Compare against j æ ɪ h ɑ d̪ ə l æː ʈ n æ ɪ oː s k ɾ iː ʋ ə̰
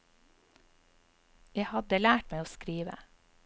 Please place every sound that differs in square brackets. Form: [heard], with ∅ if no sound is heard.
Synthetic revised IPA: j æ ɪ h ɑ d̪ ə l æː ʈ [m] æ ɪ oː s k ɾ iː ʋ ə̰

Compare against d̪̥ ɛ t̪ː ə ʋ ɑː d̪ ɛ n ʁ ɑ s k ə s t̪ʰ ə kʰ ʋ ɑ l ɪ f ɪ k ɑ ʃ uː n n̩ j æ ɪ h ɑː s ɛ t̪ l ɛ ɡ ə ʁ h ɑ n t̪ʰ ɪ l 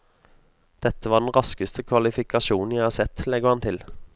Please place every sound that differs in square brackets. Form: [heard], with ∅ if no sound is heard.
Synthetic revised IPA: d̪̥ ɛ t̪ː ə ʋ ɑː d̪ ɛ n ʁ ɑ s k ə s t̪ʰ ə kʰ ʋ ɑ l ɪ f ɪ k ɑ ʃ uː n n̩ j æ ɪ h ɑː s ɛ t̪ l ɛ ɡ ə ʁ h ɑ n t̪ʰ ɪ l

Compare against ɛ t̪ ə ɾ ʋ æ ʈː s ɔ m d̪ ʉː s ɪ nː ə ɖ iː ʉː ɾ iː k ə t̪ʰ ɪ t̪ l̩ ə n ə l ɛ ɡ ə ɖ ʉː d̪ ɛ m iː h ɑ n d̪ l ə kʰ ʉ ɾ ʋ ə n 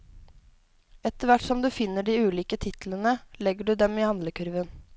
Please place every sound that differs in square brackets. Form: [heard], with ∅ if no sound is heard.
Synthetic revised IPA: ɛ t̪ ə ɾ ʋ æ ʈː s ɔ m d̪ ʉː [f] ɪ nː ə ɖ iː ʉː [l] iː k ə t̪ʰ ɪ t̪ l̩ ə n ə l ɛ ɡ ə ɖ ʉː d̪ ɛ m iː h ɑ n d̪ l ə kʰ ʉ ɾ ʋ ə n

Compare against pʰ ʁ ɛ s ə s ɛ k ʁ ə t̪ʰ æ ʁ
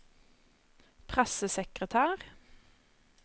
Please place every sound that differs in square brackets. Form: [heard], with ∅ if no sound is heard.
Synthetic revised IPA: pʰ ʁ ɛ s ə s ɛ k ʁ ə t̪ʰ [æː] ʁ

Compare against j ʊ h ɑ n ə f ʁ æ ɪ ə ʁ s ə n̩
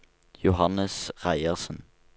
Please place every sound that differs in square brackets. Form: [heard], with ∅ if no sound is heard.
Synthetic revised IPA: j ʊ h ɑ n ə [s] ʁ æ ɪ ə ʁ s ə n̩

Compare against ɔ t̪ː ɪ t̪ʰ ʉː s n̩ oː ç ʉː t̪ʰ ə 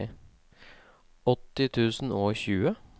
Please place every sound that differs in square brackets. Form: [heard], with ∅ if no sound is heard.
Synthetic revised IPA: ɔ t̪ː ɪ t̪ʰ ʉː s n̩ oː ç ʉː [∅] ə

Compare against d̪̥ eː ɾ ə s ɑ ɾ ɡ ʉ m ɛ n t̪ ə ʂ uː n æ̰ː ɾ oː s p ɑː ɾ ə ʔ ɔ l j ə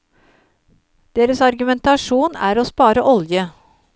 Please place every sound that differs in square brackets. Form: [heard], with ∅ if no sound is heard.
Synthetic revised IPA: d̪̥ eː ɾ ə s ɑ ɾ ɡ ʉ m ɛ n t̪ [ɑ] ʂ uː n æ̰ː ɾ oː s p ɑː ɾ ə ʔ ɔ l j ə

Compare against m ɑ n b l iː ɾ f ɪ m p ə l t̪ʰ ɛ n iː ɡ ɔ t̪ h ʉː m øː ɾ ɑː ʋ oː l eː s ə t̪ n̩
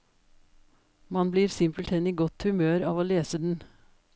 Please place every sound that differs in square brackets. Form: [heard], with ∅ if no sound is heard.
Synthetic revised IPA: m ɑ n b l iː ɾ [s] ɪ m p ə l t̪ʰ ɛ n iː ɡ ɔ t̪ h [ʉ] m øː ɾ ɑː ʋ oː l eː s ə [d̪] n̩

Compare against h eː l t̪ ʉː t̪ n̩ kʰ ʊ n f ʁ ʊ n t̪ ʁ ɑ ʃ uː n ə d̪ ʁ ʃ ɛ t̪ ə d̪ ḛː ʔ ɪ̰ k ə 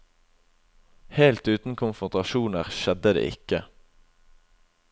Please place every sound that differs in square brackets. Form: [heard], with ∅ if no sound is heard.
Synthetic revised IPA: h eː l t̪ ʉː t̪ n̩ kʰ ʊ n f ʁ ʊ n t̪ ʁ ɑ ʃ uː n ə [∅] ʁ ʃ ɛ [d̪] ə d̪ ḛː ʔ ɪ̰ k ə

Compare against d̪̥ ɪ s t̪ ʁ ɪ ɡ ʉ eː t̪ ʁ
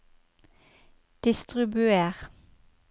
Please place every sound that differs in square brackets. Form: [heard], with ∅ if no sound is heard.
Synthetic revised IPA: d̪̥ ɪ s t̪ ʁ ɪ [b] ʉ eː [∅] ʁ

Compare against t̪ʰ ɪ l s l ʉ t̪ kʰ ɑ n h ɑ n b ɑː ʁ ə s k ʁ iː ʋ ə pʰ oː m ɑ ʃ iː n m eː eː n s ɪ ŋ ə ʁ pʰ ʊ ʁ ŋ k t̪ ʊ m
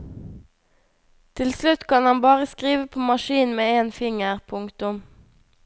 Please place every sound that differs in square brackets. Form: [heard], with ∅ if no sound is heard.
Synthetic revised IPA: t̪ʰ ɪ l s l ʉ t̪ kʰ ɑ n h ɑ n b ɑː ʁ ə s k ʁ iː ʋ ə pʰ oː m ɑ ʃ iː n m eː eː n [f] ɪ ŋ ə ʁ pʰ ʊ [∅] ŋ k t̪ ʊ m

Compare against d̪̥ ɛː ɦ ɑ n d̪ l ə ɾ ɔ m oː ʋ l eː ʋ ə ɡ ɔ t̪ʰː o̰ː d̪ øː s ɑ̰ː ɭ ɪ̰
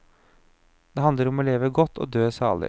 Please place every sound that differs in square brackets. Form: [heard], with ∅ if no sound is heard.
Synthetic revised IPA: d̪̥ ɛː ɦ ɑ n d̪ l ə ɾ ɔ m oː [∅] l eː ʋ ə ɡ ɔ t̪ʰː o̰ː d̪ øː s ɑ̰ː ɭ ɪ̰

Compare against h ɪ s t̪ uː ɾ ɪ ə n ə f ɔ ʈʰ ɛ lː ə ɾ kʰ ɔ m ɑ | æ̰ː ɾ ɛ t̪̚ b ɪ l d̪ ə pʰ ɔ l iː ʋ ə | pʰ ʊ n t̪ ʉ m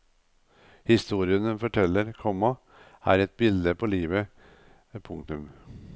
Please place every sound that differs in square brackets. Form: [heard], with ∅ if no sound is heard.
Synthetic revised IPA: h ɪ s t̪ uː ɾ ɪ ə n ə f ɔ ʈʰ ɛ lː ə ɾ kʰ ɔ m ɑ | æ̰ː ɾ ɛ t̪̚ b ɪ l d̪ ə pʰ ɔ l iː ʋ ə | pʰ ʊ [ŋ] t̪ ʉ m

